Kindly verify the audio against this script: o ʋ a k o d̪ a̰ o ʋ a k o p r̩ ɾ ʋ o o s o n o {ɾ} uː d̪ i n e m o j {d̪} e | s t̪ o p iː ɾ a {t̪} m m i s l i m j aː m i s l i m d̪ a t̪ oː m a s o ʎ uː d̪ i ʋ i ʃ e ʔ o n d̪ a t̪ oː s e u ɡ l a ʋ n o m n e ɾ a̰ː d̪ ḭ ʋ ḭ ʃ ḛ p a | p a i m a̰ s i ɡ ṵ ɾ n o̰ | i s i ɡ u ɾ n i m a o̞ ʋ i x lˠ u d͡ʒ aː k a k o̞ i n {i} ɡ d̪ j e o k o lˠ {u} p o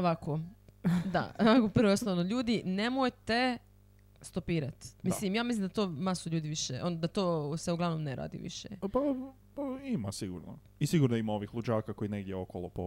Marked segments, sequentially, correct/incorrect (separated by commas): incorrect, incorrect, correct, incorrect, incorrect